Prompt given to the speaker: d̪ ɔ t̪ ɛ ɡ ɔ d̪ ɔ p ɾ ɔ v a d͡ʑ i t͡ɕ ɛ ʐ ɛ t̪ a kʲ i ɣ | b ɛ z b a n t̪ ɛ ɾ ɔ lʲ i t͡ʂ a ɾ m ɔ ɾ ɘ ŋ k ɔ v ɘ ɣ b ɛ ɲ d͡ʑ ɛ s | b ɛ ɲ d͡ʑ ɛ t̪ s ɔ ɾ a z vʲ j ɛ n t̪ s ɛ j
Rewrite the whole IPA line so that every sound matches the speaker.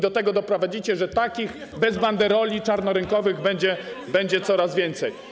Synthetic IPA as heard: d̪ ɔ t̪ ɛ ɡ ɔ d̪ ɔ p ɾ ɔ v a d͡ʑ i t͡ɕ ɛ ʐ ɛ t̪ a kʲ i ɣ | b ɛ z b a n d̪ ɛ ɾ ɔ lʲ i t͡ʂ a ɾ n ɔ ɾ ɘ ŋ k ɔ v ɘ ɣ b ɛ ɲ d͡ʑ ɛ | b ɛ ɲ d͡ʑ ɛ t̪ s ɔ ɾ a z vʲ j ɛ n t̪ s ɛ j

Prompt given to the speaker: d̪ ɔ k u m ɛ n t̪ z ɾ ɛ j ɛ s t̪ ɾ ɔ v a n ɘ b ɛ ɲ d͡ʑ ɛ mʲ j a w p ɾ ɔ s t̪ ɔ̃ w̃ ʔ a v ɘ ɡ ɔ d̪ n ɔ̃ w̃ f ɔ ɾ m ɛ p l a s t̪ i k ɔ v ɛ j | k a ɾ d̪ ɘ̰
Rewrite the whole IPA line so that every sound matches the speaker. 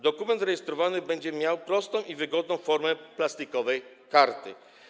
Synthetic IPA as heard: d̪ ɔ k u m ɛ n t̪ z ɾ ɛ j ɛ s t̪ ɾ ɔ v a n ɘ b ɛ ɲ d͡ʑ ɛ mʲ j a w p ɾ ɔ s t̪ ɔ̃ w̃ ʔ i v ɘ ɡ ɔ d̪ n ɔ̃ w̃ f ɔ ɾ m ɛ p l a s t̪ i k ɔ v ɛ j | k a ɾ t̪ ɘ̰

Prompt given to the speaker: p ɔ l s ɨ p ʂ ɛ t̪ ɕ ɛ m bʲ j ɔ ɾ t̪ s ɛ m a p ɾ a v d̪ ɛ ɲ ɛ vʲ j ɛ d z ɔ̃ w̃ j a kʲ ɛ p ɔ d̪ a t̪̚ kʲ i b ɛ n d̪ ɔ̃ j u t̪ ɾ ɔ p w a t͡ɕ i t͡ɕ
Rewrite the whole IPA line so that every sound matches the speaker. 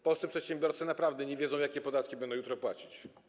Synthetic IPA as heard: p ɔ l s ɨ p ʂ ɛ t̪ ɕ ɛ m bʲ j ɔ ɾ t̪ s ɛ n a p ɾ a v d̪ ɛ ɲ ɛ vʲ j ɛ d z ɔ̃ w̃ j a kʲ ɛ p ɔ d̪ a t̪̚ kʲ i b ɛ n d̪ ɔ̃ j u t̪ ɾ ɔ p w a t͡ɕ i t͡ɕ

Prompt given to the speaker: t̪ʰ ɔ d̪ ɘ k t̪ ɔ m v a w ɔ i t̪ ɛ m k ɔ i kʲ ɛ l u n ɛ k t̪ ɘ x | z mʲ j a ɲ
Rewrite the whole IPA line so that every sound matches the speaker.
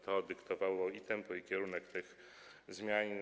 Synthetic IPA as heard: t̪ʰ ɔ d̪ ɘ k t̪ ɔ v a w ɔ i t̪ ɛ m p ɔ i kʲ ɛ ɾ u n ɛ k t̪ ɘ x | z mʲ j a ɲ

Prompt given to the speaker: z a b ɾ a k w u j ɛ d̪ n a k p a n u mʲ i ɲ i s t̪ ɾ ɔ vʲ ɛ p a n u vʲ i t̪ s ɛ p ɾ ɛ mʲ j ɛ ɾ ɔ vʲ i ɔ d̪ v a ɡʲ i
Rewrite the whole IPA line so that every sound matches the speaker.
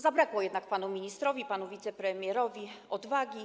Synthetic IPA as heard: z a b ɾ a k w ɔ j ɛ d̪ n a k p a n u mʲ i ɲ i s t̪ ɾ ɔ vʲ i p a n u vʲ i t̪ s ɛ p ɾ ɛ mʲ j ɛ ɾ ɔ vʲ i ɔ d̪ v a ɡʲ i

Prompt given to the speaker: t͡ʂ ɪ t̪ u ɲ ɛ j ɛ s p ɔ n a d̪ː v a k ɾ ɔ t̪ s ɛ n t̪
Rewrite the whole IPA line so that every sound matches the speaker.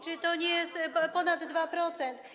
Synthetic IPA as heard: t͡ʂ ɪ t̪ ɔ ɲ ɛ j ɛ s p ɔ n a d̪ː v a p ɾ ɔ t̪ s ɛ n t̪

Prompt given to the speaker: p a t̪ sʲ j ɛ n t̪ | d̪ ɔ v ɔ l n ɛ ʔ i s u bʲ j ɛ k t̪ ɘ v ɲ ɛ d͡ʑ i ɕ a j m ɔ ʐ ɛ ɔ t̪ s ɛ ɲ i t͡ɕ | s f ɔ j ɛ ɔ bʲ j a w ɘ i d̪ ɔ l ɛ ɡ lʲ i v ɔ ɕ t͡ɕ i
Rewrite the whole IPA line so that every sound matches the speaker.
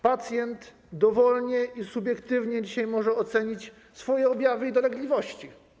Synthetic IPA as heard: p a t̪ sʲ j ɛ n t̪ | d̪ ɔ v ɔ l ɲ ɛ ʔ i s u bʲ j ɛ k t̪ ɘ v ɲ ɛ d͡ʑ i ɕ a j m ɔ ʐ ɛ ɔ t̪ s ɛ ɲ i t͡ɕ | s f ɔ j ɛ ɔ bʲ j a v ɘ i d̪ ɔ l ɛ ɡ lʲ i v ɔ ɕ t͡ɕ i

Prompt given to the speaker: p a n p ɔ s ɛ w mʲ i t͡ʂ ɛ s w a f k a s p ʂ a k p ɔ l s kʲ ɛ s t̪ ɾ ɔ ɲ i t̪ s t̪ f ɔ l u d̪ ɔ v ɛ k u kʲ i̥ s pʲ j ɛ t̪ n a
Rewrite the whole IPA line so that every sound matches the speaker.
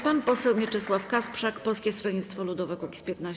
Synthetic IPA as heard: p a n p ɔ s ɛ w mʲ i t͡ʂ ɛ s w a f k a s p ʂ a k p ɔ l s kʲ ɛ s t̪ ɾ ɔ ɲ i t̪ s t̪ f ɔ l u d̪ ɔ v ɛ k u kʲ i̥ s pʲ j ɛ t̪ n a

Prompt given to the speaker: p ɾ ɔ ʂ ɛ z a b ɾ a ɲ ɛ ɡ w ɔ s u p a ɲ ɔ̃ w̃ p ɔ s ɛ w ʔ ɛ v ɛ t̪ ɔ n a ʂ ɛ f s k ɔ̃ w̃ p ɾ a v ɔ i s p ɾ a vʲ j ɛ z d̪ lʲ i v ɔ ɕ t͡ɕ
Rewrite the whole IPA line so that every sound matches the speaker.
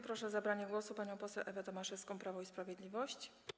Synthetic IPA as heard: p ɾ ɔ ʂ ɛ z a b ɾ a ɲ ɛ ɡ w ɔ s u p a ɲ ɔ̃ w̃ p ɔ s ɛ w ʔ ɛ v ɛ t̪ ɔ m a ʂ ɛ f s k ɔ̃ w̃ p ɾ a v ɔ i s p ɾ a vʲ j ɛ d̪ lʲ i v ɔ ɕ t͡ɕ

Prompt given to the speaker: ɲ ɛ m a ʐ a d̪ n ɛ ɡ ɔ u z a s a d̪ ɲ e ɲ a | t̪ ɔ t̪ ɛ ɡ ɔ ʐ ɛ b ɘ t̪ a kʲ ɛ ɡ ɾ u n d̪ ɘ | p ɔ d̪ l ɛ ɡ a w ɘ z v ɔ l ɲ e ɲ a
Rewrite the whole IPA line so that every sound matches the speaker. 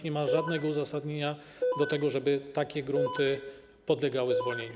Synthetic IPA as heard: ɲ ɛ m a ʐ a d̪ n ɛ ɡ ɔ u z a s a d̪ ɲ e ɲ a | d̪ ɔ t̪ ɛ ɡ ɔ ʐ ɛ b ɘ t̪ a kʲ ɛ ɡ ɾ u n t̪ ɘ | p ɔ d̪ l ɛ ɡ a w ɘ z v ɔ l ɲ e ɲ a

